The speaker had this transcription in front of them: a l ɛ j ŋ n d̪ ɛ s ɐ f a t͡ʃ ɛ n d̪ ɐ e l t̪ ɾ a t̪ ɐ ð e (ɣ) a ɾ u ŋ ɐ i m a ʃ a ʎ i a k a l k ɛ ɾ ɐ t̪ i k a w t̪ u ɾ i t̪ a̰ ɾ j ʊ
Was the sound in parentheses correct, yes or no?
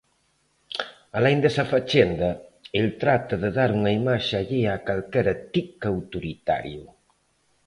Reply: no